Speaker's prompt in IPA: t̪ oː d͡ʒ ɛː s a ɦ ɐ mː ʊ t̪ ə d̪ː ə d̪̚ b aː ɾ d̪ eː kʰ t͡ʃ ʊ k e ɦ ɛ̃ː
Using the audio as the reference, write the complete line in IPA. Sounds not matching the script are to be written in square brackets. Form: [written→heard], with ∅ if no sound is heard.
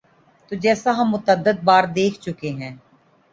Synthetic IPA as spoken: t̪ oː d͡ʒ ɛː s a ɦ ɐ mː ʊ t̪ ə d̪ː ə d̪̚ b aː ɾ d̪ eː kʰ t͡ʃ ʊ k e ɦ ɛ̃ː